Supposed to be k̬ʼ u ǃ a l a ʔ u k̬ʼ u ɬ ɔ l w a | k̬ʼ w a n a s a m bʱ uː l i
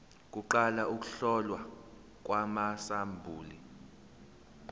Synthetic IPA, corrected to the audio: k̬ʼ u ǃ a l a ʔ u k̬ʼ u ɬ ɔ l w a | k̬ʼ w a m a s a m bʱ uː l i